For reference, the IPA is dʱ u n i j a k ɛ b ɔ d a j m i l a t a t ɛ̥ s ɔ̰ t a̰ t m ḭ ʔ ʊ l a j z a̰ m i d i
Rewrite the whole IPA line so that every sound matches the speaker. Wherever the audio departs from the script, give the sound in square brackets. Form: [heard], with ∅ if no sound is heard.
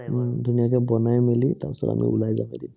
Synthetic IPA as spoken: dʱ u n i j a k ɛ b ɔ [n] a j m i l [i] t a [p] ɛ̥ s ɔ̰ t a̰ [∅] m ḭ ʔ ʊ l a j z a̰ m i d i